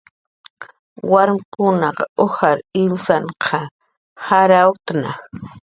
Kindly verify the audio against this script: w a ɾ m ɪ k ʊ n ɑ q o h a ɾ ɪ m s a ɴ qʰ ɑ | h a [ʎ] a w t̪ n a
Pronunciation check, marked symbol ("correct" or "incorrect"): incorrect